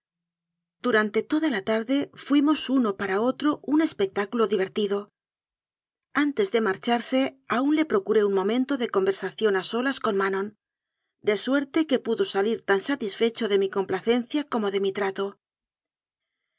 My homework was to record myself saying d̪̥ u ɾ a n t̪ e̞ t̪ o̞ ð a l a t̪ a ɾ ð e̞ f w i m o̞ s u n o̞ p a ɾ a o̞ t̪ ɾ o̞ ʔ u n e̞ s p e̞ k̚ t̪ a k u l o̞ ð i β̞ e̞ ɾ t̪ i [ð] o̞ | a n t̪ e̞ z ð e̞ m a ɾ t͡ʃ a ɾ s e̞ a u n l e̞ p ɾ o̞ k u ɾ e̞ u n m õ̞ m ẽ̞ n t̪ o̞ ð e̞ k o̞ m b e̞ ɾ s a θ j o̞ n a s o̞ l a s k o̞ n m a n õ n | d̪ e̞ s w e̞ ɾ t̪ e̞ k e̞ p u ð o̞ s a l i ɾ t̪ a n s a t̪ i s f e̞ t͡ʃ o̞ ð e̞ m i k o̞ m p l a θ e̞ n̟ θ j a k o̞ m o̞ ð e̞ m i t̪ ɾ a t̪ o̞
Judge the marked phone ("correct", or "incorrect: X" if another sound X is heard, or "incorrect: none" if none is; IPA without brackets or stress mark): correct